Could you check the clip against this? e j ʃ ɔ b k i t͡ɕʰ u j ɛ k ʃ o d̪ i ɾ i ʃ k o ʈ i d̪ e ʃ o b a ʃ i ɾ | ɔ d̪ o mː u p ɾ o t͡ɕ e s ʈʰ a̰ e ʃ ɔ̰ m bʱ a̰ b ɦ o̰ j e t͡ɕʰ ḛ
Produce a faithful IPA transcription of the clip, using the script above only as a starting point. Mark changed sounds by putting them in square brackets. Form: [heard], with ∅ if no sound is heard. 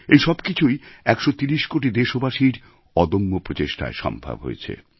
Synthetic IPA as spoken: e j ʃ ɔ b k i t͡ɕʰ u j ɛ k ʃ o [t̪] i ɾ i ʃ k o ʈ i d̪ e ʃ o b a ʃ i ɾ | ɔ d̪ o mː [o] p ɾ o t͡ɕ e [ʃ] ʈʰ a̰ e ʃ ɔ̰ m bʱ a̰ b ɦ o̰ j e t͡ɕʰ ḛ